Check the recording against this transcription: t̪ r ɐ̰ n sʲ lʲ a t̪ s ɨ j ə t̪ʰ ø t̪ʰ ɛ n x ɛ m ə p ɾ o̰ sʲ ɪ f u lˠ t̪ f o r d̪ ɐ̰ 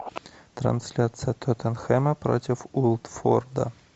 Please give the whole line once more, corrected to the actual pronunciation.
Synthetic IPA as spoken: t̪ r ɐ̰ n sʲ lʲ a t̪ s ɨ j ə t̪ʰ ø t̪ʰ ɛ n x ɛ m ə p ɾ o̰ tʲ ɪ f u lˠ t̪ f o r d̪ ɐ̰